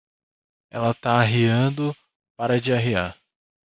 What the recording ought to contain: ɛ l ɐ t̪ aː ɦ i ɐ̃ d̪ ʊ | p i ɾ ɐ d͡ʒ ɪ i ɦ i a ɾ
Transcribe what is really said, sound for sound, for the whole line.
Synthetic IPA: ɛ l ɐ t̪ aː ɦ i ɐ̃ d̪ ʊ | p a ɾ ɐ d͡ʒ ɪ a ɦ i a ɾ